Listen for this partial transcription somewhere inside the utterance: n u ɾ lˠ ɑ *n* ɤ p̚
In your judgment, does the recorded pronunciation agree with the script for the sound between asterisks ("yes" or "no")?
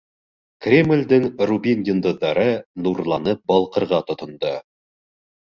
yes